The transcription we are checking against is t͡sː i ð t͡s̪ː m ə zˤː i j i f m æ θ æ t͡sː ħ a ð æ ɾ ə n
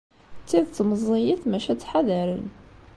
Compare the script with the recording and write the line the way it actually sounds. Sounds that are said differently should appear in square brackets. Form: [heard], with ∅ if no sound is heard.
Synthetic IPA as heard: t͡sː i ð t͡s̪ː m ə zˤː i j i [θ] m æ [ʃ] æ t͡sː ħ a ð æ ɾ ə n